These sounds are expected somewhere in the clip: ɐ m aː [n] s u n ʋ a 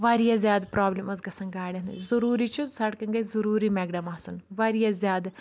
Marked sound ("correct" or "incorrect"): incorrect